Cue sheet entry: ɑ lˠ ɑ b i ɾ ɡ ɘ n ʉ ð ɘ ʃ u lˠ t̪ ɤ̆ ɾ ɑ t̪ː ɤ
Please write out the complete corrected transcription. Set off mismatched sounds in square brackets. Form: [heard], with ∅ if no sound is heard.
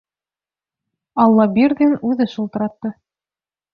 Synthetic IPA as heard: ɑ [lˠː] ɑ b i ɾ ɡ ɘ n ʉ ð ɘ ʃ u lˠ t̪ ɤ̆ ɾ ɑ t̪ː ɤ